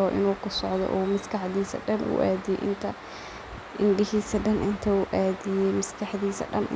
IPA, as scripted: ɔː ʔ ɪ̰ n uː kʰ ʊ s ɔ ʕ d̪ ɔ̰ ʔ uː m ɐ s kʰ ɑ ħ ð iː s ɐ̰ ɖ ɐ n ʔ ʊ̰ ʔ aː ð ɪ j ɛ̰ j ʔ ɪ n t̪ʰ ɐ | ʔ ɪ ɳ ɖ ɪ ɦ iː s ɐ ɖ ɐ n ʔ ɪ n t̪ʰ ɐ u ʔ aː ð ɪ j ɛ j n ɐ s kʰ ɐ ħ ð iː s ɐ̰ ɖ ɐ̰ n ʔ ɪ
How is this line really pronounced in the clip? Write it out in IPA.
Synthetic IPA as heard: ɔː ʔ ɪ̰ n uː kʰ ʊ s ɔ ʕ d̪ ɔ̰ ʔ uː m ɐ s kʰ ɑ ħ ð iː s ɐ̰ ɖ ɐ n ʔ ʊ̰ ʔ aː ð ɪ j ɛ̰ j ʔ ɪ n t̪ʰ ɐ | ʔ ɪ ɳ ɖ ɪ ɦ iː s ɐ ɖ ɐ n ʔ ɪ n t̪ʰ ɐ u ʔ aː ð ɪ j ɛ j m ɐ s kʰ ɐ ħ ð iː s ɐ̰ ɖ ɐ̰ n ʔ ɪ